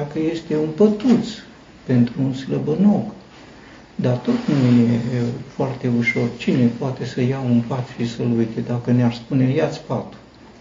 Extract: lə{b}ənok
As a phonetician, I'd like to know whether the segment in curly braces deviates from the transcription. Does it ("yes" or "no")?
no